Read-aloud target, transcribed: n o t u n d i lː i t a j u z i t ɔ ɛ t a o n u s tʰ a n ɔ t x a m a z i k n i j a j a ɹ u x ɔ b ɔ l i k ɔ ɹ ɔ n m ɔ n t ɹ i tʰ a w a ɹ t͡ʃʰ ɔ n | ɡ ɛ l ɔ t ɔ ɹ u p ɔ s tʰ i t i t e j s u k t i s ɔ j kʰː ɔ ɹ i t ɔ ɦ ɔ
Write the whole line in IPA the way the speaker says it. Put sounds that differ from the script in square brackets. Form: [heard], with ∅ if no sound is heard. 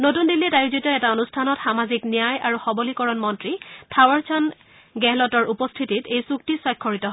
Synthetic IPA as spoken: n o t u n d i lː i t a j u z i t ɔ ɛ t a o n u s tʰ a n ɔ t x a m a z i k n i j a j a ɹ u x ɔ b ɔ l i k ɔ ɹ ɔ n m ɔ n t ɹ i tʰ a w a ɹ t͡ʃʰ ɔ n | ɡ ɛ l ɔ t ɔ ɹ u p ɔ s tʰ i t i t e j s u k t i s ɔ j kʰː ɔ ɹ i t ɔ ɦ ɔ

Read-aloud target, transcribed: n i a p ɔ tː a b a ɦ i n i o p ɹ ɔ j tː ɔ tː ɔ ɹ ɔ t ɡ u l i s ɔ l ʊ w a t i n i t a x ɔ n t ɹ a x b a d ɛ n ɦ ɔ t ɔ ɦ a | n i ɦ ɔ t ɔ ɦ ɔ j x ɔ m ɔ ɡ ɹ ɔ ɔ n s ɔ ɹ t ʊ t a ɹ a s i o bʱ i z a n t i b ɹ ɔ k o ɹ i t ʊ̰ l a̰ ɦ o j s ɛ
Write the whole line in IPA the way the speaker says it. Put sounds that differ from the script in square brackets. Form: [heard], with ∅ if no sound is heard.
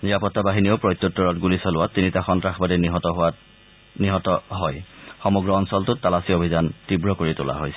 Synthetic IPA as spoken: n i a p ɔ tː a b a ɦ i n i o p ɹ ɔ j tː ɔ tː ɔ ɹ ɔ t ɡ u l i s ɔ l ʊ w a t i n i t a x ɔ n t ɹ a x b a d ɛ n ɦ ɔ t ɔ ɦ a | n i ɦ ɔ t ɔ ɦ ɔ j x ɔ m ɔ ɡ ɹ ɔ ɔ n s ɔ [l] t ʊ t a [l] a s i o bʱ i z a n t i b ɹ ɔ k o ɹ i t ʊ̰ l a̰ ɦ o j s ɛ

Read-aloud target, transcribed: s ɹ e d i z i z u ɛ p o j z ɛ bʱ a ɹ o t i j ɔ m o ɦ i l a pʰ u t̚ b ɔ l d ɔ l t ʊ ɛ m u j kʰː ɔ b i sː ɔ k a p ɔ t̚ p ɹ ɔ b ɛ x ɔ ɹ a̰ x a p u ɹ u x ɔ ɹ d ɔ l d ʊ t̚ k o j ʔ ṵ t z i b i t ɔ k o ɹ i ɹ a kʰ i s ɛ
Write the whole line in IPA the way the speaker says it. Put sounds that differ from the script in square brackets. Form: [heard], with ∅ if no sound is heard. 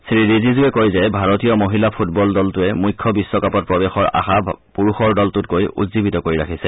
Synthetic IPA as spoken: s ɹ [i] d i z i z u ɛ [k] o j z ɛ bʱ a ɹ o t i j ɔ m o ɦ i l a pʰ u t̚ b ɔ l d ɔ l t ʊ ɛ m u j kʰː ɔ b i sː ɔ k a p ɔ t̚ p ɹ ɔ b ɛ x ɔ ɹ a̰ x a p u ɹ u x ɔ ɹ d ɔ l [t] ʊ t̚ k o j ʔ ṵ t z i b i t ɔ k o ɹ i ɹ a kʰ i s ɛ

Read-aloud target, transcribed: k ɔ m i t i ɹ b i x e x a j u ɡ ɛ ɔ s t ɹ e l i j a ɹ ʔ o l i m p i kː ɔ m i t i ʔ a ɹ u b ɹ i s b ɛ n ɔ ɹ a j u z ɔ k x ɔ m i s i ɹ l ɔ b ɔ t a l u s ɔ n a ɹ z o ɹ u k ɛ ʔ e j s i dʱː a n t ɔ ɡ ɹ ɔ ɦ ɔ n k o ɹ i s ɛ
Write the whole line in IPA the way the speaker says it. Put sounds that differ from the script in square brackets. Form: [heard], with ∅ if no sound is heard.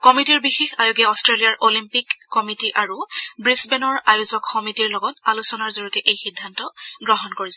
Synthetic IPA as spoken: k ɔ m i t i ɹ b i x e x a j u ɡ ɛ ɔ s t ɹ e l i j a ɹ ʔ o l i m p i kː ɔ m i t i ʔ a ɹ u b ɹ i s b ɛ n ɔ ɹ a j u z ɔ k x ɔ m i [t] i ɹ l ɔ [ɡ] ɔ t a l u s ɔ n a ɹ z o ɹ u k ɛ ʔ e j [x] i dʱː a n t ɔ ɡ ɹ ɔ ɦ ɔ n k o ɹ i s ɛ

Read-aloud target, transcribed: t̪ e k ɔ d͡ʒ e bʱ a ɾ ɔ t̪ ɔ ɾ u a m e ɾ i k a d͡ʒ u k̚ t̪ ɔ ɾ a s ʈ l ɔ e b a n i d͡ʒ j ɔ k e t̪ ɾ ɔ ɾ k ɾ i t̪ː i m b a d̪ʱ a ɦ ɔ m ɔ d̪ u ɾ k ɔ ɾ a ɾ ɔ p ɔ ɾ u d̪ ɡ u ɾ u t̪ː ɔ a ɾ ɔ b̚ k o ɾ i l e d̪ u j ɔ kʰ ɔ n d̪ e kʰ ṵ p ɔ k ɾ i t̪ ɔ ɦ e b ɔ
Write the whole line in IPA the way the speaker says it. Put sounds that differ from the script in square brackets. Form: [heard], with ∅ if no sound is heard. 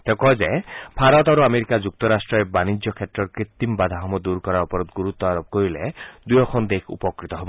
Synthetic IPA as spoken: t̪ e k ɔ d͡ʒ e bʱ a ɾ ɔ t̪ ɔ ɾ u a m e ɾ i k a d͡ʒ u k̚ t̪ ɔ ɾ a s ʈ [ɾ] ɔ e b a n i d͡ʒ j ɔ [kʰ] e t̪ ɾ ɔ ɾ k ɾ i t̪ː i m b a d̪ʱ a ɦ ɔ m ɔ d̪ u ɾ k ɔ ɾ a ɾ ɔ p ɔ ɾ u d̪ ɡ u ɾ u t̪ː ɔ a ɾ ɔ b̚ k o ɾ i l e d̪ u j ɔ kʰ ɔ n d̪ e kʰ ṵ p ɔ k ɾ i t̪ ɔ ɦ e b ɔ

